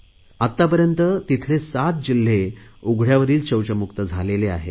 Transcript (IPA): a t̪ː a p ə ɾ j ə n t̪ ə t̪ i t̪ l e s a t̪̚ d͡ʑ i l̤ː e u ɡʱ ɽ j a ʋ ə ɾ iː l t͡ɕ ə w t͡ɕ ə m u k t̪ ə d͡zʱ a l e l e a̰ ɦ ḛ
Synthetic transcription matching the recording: a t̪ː a p ə ɾ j ə n t̪ ə t̪ i t̪ʰ l e s a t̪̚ d͡ʑ i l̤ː e u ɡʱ ɽ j a ʋ ə ɾ iː l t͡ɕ ə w t͡ɕ ə m u k t̪ ə d͡zʱ a l e l e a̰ ɦ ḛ

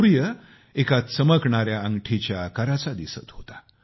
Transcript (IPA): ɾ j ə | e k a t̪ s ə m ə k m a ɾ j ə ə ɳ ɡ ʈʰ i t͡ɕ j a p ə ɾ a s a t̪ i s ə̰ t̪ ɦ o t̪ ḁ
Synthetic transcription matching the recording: ɾ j ə | e k a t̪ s ə m ə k ɳ a ɾ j a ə ŋ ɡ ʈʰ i t͡ɕ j a k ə ɾ a t͡s a d̪ i s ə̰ t̪ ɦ o t̪ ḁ

